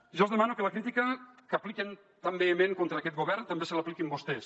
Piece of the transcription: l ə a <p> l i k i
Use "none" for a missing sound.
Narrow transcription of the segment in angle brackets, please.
p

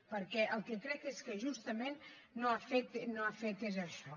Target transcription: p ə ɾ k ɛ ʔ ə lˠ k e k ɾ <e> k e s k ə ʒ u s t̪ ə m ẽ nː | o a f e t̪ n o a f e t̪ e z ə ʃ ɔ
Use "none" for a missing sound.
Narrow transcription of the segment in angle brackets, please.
ɛ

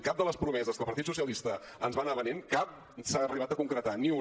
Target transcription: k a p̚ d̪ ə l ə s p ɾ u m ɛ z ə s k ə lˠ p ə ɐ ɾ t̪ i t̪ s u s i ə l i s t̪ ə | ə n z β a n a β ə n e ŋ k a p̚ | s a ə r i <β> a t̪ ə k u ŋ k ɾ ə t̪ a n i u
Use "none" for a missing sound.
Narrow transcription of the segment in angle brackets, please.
β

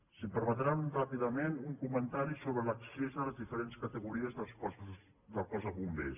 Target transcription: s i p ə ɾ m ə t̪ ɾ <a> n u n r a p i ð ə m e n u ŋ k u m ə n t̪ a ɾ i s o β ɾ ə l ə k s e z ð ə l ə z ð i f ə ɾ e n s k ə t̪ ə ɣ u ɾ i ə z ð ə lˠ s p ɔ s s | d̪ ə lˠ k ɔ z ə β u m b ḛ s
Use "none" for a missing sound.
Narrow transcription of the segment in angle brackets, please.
a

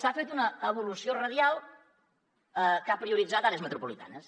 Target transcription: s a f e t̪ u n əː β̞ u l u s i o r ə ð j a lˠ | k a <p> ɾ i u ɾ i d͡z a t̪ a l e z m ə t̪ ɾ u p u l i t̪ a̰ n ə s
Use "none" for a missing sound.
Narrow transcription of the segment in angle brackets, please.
p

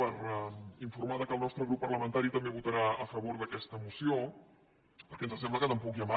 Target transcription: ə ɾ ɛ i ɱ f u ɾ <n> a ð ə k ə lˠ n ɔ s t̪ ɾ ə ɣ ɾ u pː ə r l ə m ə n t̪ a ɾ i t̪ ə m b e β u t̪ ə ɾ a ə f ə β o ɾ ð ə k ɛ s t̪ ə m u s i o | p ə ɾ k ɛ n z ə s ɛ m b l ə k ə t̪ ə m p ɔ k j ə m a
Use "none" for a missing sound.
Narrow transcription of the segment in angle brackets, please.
m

